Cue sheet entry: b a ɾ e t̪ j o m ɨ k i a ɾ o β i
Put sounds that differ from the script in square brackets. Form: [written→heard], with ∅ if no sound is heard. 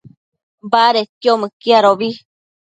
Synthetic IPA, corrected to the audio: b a ɾ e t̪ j o m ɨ k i a ɾ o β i